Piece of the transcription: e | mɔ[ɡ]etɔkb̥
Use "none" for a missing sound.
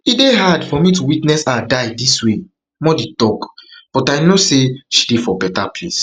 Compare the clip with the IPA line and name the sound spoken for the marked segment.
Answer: d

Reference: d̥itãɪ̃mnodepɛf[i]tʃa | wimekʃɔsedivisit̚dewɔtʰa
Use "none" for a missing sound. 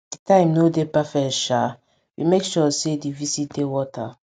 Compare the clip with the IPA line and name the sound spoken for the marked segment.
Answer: ɛ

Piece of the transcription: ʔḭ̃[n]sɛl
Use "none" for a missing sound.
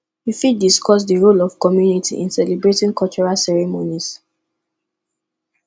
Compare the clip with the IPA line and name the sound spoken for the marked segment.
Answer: n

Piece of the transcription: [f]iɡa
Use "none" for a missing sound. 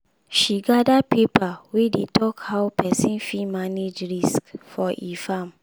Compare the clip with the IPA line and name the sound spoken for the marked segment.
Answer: ʃ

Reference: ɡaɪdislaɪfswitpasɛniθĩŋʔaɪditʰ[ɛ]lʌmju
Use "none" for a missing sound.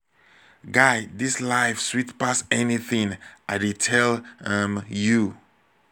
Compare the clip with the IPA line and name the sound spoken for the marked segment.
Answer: ɛ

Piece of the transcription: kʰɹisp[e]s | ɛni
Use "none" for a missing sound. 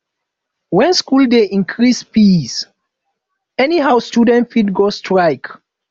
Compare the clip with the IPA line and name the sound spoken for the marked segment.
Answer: i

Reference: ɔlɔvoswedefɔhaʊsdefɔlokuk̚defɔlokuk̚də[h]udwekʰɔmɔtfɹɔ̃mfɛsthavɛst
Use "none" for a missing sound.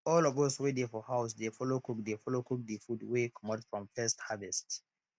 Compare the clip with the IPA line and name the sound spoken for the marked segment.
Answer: f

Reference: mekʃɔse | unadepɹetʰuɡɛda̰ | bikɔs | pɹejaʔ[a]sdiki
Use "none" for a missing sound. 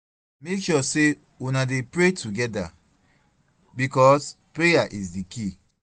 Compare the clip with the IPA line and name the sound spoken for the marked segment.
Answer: i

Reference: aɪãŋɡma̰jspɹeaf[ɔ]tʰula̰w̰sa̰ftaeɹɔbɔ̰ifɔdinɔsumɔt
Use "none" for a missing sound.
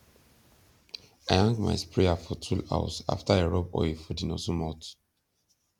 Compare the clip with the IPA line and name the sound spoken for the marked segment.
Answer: ɔ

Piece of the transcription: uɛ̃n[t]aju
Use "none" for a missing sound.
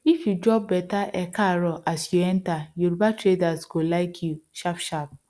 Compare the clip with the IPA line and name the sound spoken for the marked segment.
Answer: t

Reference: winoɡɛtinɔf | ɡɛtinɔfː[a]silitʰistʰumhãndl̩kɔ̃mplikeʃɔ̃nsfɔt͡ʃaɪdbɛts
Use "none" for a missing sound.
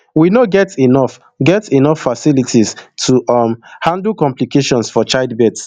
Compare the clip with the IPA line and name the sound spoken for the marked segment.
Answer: a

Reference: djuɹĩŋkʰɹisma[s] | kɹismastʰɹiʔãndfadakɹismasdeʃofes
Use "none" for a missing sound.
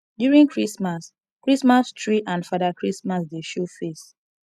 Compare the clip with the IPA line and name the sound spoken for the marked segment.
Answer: s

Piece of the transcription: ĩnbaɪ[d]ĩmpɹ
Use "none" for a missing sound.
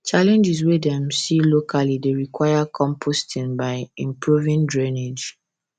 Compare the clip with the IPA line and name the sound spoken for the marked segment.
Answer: none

